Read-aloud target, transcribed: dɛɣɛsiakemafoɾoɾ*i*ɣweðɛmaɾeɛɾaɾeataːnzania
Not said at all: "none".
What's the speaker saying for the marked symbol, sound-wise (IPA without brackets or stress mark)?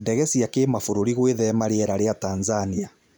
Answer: i